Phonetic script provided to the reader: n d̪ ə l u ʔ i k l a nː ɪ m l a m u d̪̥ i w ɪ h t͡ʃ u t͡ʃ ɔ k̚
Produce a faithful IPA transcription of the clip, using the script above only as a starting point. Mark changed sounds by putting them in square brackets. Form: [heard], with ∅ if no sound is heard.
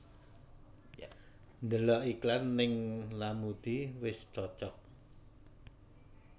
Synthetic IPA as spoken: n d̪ ə l [ɔ] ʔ i k l a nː ɪ [ŋ] l a m u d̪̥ i w ɪ [s] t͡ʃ [ɔ] t͡ʃ ɔ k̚